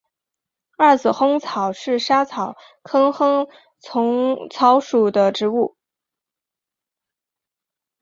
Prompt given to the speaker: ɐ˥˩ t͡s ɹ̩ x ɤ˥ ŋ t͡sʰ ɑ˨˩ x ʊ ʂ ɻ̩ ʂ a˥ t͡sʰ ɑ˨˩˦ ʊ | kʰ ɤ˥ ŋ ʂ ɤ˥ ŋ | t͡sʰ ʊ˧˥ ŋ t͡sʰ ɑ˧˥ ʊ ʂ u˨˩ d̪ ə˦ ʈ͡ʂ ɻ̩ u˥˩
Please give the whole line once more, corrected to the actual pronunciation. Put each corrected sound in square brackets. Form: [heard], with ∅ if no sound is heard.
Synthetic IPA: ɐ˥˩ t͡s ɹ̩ x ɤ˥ ŋ t͡sʰ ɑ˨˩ [∅] ʊ ʂ ɻ̩ ʂ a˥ t͡sʰ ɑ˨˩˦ ʊ | kʰ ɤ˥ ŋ [x] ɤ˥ ŋ | t͡sʰ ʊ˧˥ ŋ t͡sʰ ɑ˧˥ ʊ ʂ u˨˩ d̪ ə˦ ʈ͡ʂ ɻ̩ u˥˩